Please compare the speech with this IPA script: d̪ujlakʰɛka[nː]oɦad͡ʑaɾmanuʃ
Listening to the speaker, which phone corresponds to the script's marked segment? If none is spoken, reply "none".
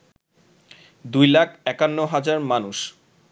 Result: nː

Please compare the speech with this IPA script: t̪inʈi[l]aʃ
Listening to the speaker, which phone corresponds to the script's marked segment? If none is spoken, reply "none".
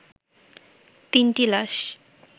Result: l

